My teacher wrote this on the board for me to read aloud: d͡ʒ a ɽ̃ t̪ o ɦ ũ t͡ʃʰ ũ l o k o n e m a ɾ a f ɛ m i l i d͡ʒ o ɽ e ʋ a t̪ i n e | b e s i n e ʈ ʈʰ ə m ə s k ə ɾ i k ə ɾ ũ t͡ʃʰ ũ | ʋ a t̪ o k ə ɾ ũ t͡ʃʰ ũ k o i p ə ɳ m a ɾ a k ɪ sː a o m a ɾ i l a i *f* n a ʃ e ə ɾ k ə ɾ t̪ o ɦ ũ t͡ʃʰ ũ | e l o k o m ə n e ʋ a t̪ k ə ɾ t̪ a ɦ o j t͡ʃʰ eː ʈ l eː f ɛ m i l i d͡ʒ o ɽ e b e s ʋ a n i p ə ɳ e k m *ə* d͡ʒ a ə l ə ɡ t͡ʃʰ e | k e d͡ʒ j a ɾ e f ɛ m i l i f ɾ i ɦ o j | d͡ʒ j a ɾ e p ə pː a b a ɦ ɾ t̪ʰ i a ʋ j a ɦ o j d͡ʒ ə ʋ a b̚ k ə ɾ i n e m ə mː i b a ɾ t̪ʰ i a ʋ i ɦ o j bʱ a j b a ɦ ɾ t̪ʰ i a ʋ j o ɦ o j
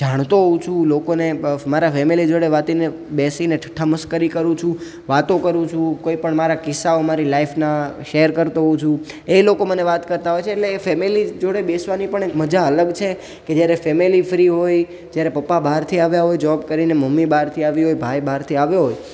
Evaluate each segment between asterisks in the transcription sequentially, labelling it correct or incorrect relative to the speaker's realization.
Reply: correct, correct

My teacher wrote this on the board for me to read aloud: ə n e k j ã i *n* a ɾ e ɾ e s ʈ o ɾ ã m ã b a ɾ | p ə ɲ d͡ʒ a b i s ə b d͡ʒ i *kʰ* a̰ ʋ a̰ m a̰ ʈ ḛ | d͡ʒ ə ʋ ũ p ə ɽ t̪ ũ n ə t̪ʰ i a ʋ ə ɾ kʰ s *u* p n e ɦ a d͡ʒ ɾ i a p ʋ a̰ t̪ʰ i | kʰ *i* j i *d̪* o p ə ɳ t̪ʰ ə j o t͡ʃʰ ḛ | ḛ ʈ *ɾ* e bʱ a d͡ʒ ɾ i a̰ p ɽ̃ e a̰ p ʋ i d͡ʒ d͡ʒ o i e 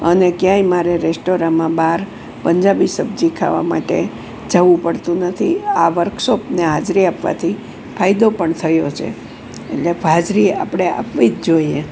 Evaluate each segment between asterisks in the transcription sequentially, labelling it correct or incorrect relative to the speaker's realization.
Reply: incorrect, correct, incorrect, incorrect, correct, incorrect

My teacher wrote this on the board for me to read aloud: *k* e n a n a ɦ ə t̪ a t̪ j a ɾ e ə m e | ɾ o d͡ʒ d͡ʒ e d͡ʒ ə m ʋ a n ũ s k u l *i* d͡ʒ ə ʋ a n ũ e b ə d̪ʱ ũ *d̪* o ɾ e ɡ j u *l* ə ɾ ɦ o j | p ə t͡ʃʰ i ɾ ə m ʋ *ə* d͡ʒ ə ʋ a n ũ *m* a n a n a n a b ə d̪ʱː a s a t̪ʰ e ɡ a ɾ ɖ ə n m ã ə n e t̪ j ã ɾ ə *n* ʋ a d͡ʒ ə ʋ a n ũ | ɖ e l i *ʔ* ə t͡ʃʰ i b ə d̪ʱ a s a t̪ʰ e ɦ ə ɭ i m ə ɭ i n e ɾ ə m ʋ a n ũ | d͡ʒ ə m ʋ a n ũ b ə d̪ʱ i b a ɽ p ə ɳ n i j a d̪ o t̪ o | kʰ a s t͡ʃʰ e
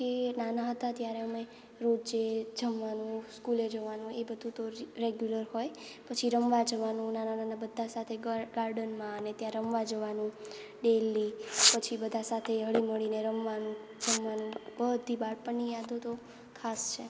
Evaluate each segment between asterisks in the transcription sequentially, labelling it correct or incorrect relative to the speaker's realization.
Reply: correct, incorrect, incorrect, correct, incorrect, incorrect, incorrect, incorrect

